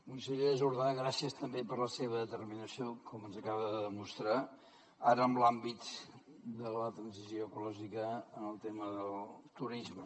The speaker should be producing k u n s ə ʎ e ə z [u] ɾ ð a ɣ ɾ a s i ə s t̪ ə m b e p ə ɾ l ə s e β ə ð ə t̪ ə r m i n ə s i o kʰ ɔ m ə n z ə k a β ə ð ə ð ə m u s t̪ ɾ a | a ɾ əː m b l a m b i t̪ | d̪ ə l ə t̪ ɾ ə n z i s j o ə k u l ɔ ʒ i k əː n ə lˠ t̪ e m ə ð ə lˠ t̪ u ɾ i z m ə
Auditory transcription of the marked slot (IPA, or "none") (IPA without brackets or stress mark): u